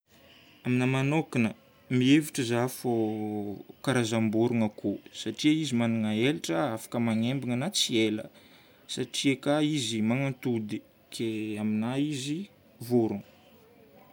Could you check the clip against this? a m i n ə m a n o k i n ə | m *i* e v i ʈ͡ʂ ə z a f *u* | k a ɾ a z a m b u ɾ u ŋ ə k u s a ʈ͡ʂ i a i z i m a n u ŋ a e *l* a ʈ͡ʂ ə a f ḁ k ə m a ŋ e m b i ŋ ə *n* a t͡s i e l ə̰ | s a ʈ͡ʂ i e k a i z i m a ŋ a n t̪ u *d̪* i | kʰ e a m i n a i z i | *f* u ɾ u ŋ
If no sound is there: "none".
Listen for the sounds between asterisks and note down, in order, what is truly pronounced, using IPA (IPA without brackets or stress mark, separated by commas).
i, o, l, n, d̪, v